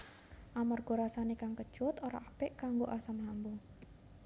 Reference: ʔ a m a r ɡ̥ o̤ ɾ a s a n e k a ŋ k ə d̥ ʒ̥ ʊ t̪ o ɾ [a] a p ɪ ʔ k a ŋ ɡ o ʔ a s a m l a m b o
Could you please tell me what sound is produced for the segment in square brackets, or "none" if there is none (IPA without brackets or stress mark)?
a